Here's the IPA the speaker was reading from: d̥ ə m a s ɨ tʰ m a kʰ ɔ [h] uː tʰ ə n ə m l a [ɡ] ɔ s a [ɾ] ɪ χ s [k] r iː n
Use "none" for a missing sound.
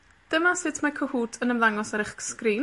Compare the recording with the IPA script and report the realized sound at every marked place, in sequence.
h, ŋ, ɾ, k

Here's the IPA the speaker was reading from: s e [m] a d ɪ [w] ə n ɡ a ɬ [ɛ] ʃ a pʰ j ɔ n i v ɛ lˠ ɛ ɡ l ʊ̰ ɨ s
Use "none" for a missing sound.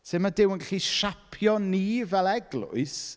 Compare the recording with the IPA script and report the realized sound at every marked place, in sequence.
m, w, i

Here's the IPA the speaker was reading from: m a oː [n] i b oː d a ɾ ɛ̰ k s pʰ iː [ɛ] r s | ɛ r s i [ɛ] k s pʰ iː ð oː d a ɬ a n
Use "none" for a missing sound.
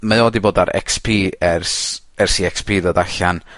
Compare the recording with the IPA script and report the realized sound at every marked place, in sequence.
d, ɛ, ɛ

